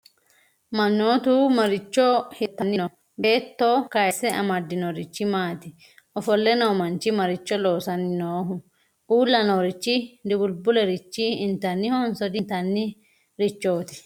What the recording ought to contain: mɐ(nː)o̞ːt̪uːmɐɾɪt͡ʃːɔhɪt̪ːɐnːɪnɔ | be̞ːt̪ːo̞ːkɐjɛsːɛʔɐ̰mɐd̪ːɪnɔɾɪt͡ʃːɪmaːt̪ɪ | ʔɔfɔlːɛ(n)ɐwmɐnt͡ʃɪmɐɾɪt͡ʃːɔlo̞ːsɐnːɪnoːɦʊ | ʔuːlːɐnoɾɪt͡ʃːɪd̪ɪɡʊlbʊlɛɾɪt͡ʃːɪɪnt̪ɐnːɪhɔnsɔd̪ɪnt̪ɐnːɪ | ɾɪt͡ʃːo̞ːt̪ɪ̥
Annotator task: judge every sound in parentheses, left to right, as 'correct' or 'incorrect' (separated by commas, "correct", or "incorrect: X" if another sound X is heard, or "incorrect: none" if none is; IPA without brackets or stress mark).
correct, correct